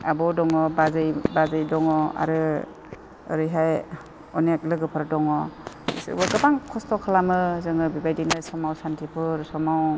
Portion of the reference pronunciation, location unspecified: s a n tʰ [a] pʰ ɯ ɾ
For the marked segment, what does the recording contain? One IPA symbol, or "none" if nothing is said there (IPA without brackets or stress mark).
i